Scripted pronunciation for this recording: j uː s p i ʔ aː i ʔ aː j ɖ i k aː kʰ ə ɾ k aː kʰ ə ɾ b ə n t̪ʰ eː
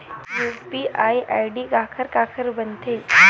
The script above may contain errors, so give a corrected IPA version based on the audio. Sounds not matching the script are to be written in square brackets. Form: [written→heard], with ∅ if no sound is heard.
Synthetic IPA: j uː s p i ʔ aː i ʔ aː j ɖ i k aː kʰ ə ɾ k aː kʰ ə ɾ b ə n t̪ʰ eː